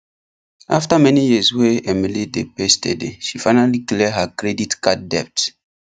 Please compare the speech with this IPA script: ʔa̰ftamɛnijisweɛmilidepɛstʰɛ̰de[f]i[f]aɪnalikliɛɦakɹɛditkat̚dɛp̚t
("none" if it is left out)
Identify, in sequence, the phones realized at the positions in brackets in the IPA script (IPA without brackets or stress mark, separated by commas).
ʃ, f